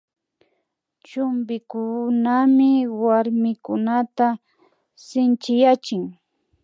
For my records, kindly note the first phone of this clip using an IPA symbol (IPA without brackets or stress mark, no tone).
t͡ʃ